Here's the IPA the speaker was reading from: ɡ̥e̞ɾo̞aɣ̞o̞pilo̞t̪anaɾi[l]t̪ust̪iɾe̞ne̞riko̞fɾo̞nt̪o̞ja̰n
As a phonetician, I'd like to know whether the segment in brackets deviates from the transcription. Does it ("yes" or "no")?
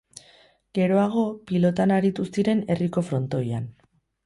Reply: yes